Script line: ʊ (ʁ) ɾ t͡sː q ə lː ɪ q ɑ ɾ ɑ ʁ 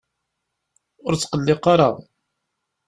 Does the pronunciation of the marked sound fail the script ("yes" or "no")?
yes